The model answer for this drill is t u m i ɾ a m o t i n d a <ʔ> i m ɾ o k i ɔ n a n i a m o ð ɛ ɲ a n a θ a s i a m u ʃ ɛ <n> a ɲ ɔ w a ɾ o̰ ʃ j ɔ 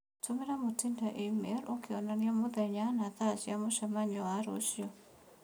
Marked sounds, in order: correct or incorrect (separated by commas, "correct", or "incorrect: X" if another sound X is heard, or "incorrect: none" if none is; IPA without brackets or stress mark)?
correct, incorrect: m